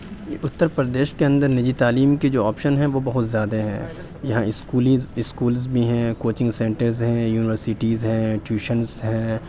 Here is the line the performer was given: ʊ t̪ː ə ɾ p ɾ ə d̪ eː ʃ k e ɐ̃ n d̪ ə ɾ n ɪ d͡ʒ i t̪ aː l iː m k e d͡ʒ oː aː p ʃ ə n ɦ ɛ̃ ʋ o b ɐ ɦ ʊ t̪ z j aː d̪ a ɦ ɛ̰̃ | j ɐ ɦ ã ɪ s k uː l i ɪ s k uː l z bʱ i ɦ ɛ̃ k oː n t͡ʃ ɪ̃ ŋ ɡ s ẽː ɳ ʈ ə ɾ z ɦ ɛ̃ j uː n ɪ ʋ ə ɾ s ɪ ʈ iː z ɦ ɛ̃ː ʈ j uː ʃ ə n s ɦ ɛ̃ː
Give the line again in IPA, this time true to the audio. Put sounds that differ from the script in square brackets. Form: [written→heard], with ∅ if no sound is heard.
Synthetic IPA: ʊ t̪ː ə ɾ p ɾ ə d̪ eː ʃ k e ɐ̃ n d̪ ə ɾ n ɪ d͡ʒ i t̪ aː l iː m k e d͡ʒ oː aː p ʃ ə n ɦ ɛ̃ ʋ o b ɐ ɦ ʊ t̪ z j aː d̪ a ɦ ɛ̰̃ | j ɐ ɦ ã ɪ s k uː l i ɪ s k uː l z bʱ i ɦ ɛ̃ k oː [n→∅] t͡ʃ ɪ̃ ŋ ɡ s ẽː ɳ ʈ ə ɾ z ɦ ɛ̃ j uː n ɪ ʋ ə ɾ s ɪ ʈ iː z ɦ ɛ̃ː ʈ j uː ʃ ə n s ɦ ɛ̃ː